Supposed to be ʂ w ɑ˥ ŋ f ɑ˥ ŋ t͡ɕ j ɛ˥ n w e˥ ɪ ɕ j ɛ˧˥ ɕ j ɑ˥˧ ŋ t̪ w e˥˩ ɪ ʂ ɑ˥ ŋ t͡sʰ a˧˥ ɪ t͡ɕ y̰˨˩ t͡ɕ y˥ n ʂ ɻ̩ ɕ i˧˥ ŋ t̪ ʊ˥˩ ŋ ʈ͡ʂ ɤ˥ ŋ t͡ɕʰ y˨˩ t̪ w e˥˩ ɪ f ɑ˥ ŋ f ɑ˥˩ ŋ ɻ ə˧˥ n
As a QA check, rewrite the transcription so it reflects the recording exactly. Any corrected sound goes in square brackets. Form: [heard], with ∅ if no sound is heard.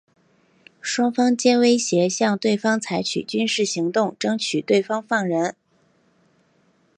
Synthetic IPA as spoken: ʂ w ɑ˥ ŋ f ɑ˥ ŋ t͡ɕ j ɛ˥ n w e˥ ɪ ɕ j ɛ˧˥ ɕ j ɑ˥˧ ŋ t̪ w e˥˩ ɪ [f] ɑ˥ ŋ t͡sʰ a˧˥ ɪ [t͡ɕʰ] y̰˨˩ t͡ɕ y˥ n ʂ ɻ̩ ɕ i˧˥ ŋ t̪ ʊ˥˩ ŋ ʈ͡ʂ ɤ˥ ŋ t͡ɕʰ y˨˩ t̪ w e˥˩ ɪ f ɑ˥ ŋ f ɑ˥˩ ŋ ɻ ə˧˥ n